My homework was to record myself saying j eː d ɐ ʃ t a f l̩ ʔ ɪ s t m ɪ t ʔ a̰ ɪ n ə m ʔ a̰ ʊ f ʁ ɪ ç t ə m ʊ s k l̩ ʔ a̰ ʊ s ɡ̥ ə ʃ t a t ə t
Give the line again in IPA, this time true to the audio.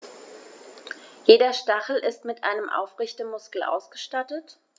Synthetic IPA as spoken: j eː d ɐ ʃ t a χ l̩ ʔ ɪ s t m ɪ t ʔ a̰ ɪ n ə m ʔ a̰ ʊ f ʁ ɪ ç t ə m ʊ s k l̩ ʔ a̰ ʊ s ɡ̥ ə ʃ t a t ə t

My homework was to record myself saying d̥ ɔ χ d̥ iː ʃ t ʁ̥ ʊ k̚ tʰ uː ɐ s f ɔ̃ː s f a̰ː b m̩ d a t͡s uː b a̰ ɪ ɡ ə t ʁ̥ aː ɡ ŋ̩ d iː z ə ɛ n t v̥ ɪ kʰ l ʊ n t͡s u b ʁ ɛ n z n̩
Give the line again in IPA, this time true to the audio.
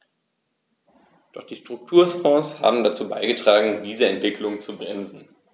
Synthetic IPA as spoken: d̥ ɔ χ d̥ iː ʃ t ʁ̥ ʊ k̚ tʰ uː ɐ s f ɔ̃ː s h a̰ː b m̩ d a t͡s uː b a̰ ɪ ɡ ə t ʁ̥ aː ɡ ŋ̩ d iː z ə ɛ n t v̥ ɪ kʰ l ʊ ŋ t͡s u b ʁ ɛ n z n̩

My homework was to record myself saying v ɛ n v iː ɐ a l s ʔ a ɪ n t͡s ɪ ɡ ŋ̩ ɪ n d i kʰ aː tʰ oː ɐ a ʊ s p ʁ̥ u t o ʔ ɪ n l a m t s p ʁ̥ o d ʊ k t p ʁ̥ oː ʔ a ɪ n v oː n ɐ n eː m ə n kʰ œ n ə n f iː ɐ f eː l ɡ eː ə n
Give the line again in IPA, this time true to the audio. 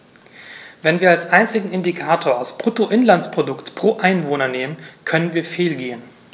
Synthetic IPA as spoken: v ɛ n v iː ɐ a l s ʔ a ɪ n t͡s ɪ ɡ ŋ̩ ɪ n d i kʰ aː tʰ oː ɐ a ʊ s p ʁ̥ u t o ʔ ɪ n l a n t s p ʁ̥ o d ʊ k t p ʁ̥ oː ʔ a ɪ n v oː n ɐ n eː m ə n kʰ œ n ə n v iː ɐ f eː l ɡ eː ə n

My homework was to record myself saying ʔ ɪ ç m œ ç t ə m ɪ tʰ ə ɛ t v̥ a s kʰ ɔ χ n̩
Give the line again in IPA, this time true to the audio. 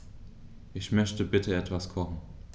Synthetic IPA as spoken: ʔ ɪ ç m œ ç t ə b ɪ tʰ ə ɛ t v̥ a s kʰ ɔ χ n̩

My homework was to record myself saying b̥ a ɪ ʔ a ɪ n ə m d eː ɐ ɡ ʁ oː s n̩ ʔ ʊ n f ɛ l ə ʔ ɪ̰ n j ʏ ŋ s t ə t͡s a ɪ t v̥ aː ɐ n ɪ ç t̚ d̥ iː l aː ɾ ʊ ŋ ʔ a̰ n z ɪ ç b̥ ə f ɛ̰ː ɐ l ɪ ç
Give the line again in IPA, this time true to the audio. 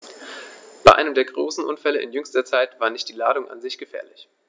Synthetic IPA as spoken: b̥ a ɪ ʔ a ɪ n ə m d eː ɐ ɡ ʁ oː s n̩ ʔ ʊ n f ɛ l ə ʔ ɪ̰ n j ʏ ŋ s t ɐ t͡s a ɪ t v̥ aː ɐ n ɪ ç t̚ d̥ iː l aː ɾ ʊ ŋ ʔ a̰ n z ɪ ç ɡ̥ ə f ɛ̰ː ɐ l ɪ ç

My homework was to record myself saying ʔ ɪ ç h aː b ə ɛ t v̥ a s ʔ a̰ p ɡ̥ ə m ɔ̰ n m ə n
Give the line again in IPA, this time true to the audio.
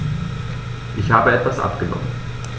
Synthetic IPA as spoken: ʔ ɪ ç h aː b ə ɛ t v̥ a s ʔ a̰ p ɡ̥ ə n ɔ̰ m ə n

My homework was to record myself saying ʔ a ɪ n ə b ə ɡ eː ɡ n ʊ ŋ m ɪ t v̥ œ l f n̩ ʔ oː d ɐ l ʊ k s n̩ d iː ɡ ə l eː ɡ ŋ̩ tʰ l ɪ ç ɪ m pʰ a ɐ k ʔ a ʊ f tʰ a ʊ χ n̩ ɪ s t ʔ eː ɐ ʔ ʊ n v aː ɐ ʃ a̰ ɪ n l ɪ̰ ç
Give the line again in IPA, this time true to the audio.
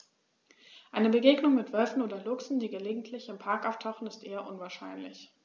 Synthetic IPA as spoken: ʔ a ɪ n ə b ə ɡ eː ɡ n ʊ ŋ m ɪ t v̥ œ l f n̩ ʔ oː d ɐ l ʊ k s n̩ d iː ɡ ə l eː ɡ ŋ̩ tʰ l ɪ ç ɪ m pʰ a ɐ k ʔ a ʊ f tʰ a ʊ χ n̩ ɪ s t ʔ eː ɐ ʔ ʊ n v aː ɐ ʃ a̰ ɪ n l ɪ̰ ç

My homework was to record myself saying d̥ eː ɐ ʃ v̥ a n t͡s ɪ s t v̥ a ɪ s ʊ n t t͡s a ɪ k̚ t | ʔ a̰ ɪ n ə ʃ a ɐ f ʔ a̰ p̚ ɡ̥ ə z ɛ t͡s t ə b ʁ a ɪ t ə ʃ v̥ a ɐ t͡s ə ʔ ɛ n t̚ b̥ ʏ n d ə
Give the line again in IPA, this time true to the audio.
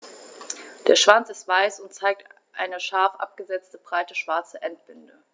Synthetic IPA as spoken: d̥ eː ɐ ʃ v̥ a n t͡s ɪ s t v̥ a ɪ s ʊ n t t͡s a ɪ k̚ t | ʔ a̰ ɪ n ə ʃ a ɐ f ʔ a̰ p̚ ɡ̥ ə z ɛ t͡s t ə b ʁ a ɪ t ə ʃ v̥ a ɐ t͡s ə ʔ ɛ n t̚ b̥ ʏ n d ə

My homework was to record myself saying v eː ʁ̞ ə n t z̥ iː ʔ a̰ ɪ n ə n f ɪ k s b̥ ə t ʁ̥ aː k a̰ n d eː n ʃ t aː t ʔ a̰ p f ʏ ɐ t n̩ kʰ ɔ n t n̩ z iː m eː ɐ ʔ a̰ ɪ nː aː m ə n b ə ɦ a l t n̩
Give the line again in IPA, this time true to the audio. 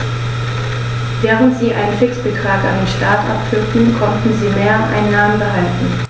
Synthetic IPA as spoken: v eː ʁ̞ ə n t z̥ iː ʔ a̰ ɪ n ə n f ɪ k s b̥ ə t ʁ̥ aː k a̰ n d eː n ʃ t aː t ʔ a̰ p f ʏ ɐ t n̩ kʰ ɔ n t n̩ z iː m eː ɐ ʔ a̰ ɪ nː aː m ə n b ə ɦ a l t n̩

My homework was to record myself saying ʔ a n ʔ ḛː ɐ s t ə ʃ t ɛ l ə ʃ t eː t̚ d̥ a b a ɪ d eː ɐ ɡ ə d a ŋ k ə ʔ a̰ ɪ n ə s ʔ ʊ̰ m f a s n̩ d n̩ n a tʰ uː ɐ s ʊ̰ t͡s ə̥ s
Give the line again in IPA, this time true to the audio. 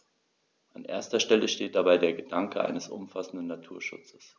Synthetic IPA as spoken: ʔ a n ʔ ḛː ɐ s t ɐ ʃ t ɛ l ə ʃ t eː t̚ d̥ a b a ɪ d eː ɐ ɡ ə d a ŋ k ə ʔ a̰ ɪ n ə s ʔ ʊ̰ m f a s n̩ d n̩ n a tʰ uː ɐ ʃ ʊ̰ t͡s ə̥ s

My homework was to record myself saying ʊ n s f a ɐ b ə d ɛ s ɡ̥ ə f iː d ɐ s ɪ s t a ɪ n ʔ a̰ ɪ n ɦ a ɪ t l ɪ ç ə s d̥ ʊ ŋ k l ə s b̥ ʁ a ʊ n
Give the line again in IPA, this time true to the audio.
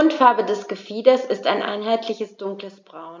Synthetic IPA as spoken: ʊ n t f a ɐ b ə d ɛ s ɡ̥ ə f iː d ɐ s ɪ s t a ɪ n ʔ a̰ ɪ n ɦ a ɪ t l ɪ ç ə s d̥ ʊ ŋ k l ə s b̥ ʁ a ʊ n

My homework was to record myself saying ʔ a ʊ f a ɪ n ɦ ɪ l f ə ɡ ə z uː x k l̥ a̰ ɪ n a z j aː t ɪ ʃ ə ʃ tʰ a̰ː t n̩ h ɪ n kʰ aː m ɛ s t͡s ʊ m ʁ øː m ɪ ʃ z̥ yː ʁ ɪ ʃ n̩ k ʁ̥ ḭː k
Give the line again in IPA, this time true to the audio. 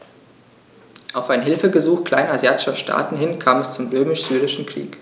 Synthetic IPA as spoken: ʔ a ʊ f a ɪ n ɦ ɪ l f ə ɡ ə z uː x k l̥ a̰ ɪ n a z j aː t ɪ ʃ ɐ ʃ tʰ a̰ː t n̩ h ɪ n kʰ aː m ɛ s t͡s ʊ m ʁ øː m ɪ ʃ z̥ yː ʁ ɪ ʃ n̩ k ʁ̥ ḭː k

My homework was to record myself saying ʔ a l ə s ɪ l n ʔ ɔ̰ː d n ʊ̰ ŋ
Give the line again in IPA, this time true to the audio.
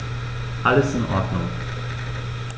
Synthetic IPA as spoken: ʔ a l ə s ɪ n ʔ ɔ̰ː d n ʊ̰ ŋ

